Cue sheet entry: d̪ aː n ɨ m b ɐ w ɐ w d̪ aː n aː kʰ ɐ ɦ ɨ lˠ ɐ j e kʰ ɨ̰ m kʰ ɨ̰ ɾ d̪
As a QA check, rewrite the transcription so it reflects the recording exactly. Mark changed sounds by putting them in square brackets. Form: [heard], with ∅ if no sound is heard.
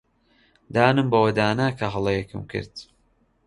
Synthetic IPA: d̪ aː n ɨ m b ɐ w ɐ [∅] d̪ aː n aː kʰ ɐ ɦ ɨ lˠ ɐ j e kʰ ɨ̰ m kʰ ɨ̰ ɾ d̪